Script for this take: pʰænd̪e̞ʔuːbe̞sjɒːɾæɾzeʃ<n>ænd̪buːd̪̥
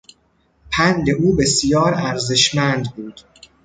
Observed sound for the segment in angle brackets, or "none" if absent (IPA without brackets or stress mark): m